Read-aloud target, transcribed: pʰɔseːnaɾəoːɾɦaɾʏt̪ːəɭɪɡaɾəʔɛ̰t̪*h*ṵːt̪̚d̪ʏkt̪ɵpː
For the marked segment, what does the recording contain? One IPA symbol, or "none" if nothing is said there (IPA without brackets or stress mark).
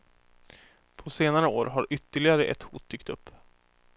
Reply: h